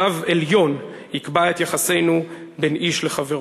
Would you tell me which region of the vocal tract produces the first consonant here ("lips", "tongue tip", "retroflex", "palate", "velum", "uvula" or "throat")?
lips